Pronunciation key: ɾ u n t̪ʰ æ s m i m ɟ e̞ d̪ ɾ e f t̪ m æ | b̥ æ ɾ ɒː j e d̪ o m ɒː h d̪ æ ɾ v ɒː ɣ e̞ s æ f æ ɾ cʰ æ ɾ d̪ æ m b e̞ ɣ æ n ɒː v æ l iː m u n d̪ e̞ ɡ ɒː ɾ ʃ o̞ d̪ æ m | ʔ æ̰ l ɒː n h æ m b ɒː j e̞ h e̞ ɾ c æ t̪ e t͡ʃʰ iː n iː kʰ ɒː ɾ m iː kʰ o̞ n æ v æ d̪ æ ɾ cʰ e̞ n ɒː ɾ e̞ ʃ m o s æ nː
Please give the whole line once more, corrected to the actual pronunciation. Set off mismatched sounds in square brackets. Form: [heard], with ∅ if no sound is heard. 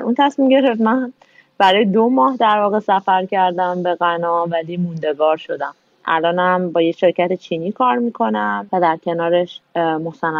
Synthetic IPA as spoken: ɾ u n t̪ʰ æ s m i m ɟ e̞ [∅] ɾ e f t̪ m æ | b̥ æ ɾ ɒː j e d̪ o m ɒː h d̪ æ ɾ v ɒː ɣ e̞ s æ f æ ɾ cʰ æ ɾ d̪ æ m b e̞ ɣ æ n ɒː v æ l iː m u n d̪ e̞ ɡ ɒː ɾ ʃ o̞ d̪ æ m | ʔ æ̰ l ɒː n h æ m b ɒː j e̞ [ʃ] e̞ ɾ c æ t̪ e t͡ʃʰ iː n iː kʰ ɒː ɾ m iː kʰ o̞ n æ v æ d̪ æ ɾ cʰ e̞ n ɒː ɾ e̞ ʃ m o s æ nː